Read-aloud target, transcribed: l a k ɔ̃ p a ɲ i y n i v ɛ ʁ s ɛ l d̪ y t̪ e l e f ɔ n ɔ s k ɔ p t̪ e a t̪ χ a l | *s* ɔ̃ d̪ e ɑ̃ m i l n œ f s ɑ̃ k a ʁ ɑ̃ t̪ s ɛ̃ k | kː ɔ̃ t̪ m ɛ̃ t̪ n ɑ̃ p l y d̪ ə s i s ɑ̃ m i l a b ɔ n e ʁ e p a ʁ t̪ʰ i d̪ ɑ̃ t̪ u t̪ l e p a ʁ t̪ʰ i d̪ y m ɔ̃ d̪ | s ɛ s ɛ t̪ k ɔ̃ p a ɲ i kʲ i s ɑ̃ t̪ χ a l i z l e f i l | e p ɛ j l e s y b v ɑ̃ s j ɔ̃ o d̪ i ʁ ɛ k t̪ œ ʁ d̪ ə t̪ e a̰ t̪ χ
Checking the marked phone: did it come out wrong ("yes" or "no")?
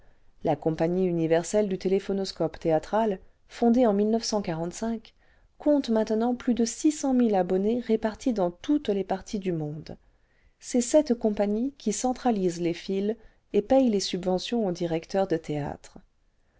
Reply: yes